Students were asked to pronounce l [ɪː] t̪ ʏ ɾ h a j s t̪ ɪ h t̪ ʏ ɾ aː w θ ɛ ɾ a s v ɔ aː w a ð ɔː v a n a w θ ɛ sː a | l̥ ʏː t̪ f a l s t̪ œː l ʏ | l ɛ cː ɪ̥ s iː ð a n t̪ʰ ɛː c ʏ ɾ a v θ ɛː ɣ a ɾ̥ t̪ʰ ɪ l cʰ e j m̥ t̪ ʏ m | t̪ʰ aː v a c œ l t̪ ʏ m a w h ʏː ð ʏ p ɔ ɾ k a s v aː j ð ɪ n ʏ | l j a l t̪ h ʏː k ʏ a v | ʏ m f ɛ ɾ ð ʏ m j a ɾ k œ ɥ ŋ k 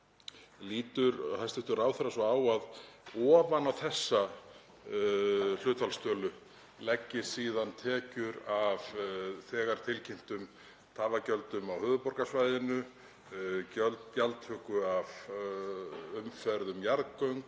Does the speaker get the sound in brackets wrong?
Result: yes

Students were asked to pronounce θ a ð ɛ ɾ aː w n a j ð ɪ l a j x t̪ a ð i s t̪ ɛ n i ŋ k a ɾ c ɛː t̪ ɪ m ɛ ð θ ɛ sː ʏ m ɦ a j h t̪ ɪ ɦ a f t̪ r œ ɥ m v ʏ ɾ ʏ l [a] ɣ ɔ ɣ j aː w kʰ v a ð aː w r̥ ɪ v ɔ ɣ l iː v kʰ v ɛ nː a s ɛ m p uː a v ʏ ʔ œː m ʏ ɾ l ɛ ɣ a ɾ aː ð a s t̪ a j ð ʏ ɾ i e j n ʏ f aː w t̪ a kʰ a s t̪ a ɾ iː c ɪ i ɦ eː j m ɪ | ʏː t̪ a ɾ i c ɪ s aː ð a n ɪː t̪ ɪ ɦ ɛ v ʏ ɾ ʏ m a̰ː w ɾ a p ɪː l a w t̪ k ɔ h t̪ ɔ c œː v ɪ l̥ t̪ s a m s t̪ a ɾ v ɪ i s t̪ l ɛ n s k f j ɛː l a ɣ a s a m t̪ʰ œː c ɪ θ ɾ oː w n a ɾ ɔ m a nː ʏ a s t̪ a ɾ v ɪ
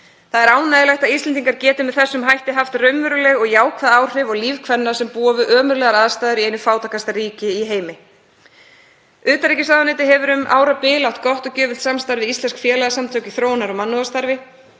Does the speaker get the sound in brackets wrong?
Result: yes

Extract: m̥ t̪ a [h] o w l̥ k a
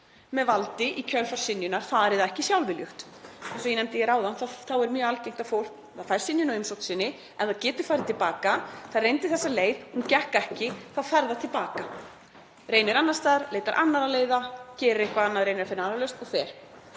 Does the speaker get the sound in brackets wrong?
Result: yes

